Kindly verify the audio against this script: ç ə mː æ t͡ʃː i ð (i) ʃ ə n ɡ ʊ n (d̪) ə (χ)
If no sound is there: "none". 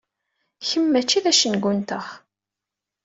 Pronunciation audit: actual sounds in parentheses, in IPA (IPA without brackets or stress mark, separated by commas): æ, t̪, χ